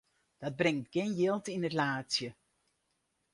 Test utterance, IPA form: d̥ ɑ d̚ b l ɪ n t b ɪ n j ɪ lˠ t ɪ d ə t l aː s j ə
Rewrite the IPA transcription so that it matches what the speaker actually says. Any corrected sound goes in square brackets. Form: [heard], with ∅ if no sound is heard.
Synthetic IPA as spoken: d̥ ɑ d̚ b [r] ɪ [ŋ] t [ɡ] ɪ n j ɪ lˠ t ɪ [n] ə t l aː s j ə